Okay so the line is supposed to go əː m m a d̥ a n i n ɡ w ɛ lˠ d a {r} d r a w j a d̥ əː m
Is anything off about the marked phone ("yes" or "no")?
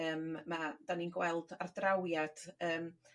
no